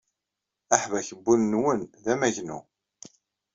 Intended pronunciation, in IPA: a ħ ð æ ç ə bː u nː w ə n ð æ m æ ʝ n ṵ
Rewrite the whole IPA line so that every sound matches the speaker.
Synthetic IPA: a ħ v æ ç ə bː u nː w ə n ð æ m æ ʝ n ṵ